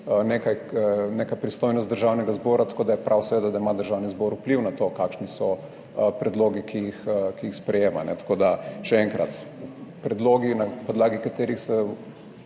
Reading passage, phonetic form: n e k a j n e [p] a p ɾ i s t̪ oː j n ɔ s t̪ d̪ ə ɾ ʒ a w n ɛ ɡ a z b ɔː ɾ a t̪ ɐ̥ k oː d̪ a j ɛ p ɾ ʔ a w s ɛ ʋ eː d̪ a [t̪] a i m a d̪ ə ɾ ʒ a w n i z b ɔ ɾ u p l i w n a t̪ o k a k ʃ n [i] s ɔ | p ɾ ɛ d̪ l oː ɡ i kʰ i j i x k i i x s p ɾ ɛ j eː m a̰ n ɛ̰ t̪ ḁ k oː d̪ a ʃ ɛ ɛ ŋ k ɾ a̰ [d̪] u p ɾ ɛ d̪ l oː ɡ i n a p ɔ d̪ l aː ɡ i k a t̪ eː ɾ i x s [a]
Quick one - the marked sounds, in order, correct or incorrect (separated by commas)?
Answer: incorrect, incorrect, correct, incorrect, incorrect